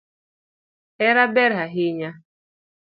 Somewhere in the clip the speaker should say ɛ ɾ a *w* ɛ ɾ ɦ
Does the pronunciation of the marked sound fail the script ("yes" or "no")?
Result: yes